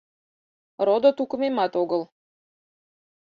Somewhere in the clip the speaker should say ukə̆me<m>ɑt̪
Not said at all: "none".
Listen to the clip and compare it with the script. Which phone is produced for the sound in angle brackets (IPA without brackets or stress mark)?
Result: m